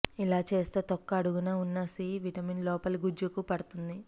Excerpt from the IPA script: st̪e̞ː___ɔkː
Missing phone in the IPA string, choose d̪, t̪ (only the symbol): t̪